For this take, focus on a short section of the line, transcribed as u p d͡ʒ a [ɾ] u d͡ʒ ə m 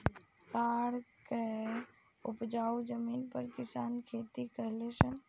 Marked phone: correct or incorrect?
incorrect